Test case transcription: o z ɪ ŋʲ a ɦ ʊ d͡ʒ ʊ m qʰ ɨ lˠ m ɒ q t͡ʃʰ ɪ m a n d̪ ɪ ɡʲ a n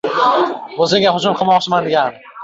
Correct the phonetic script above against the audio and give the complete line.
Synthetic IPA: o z ɪ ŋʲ a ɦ ʊ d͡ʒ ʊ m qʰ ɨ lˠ m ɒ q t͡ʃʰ ɪ m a n d̪ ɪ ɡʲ a n